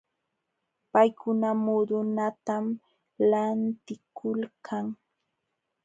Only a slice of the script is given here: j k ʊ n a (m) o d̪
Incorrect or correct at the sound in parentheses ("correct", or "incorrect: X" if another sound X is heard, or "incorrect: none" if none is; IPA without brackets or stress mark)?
correct